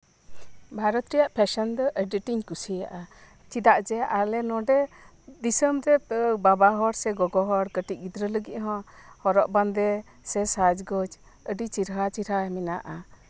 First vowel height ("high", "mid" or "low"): low